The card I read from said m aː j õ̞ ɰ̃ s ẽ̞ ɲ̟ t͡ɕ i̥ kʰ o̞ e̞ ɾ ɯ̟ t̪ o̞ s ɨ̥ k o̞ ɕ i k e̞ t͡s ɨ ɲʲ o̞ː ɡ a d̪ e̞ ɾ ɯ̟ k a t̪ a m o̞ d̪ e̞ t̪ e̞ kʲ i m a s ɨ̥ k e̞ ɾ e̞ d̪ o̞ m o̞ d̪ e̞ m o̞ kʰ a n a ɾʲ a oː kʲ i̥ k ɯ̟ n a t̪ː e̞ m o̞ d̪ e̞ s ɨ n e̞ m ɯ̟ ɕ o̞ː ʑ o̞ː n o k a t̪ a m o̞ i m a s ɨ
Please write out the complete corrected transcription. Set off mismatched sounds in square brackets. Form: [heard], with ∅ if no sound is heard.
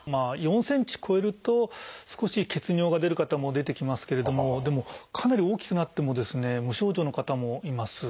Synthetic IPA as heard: m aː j õ̞ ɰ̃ s ẽ̞ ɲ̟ t͡ɕ i̥ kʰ o̞ e̞ ɾ ɯ̟ t̪ o̞ s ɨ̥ k o̞ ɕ i k e̞ t͡s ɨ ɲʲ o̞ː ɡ a d̪ e̞ ɾ ɯ̟ k a t̪ a m o̞ d̪ e̞ t̪ e̞ kʲ i m a s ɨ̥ k e̞ ɾ e̞ d̪ o̞ m o̞ d̪ e̞ m o̞ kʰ a n a ɾʲ [i] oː kʲ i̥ k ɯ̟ n a t̪ː e̞ m o̞ d̪ e̞ s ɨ n e̞ m ɯ̟ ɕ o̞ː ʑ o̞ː n o k a t̪ a m o̞ i m a s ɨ